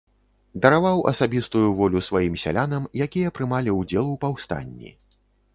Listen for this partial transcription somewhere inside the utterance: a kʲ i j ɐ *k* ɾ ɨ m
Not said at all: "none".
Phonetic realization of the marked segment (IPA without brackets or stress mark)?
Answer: p